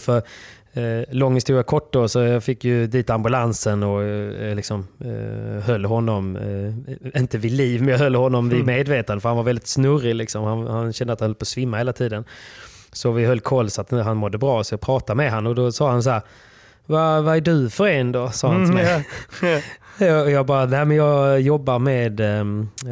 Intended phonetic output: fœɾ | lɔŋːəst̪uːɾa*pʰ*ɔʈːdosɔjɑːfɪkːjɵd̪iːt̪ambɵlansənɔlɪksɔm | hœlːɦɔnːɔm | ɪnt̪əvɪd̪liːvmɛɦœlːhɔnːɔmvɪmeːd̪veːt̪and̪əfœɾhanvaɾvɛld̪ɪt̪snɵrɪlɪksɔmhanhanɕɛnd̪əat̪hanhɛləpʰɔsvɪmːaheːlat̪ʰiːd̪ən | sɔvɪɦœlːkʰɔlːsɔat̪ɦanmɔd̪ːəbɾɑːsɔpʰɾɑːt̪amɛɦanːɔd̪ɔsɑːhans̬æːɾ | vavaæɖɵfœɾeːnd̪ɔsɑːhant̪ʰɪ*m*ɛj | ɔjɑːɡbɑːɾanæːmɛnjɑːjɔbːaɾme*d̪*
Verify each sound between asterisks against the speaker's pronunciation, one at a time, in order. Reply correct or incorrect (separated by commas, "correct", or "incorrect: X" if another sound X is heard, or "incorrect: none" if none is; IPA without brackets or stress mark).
incorrect: kʰ, correct, correct